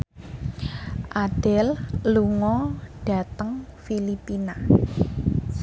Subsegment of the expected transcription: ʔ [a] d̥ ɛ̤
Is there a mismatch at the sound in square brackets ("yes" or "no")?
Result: no